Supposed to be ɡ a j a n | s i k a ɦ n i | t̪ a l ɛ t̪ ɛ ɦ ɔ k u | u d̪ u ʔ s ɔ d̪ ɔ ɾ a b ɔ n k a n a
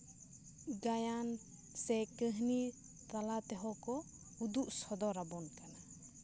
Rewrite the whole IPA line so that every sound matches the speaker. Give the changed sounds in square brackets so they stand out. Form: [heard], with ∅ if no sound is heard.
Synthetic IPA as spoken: ɡ a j a n | s [ɛ] k [ə] ɦ n i | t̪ a l [a] t̪ ɛ ɦ ɔ k [ɔ] | u d̪ u ʔ s ɔ d̪ ɔ ɾ a b ɔ n k a n a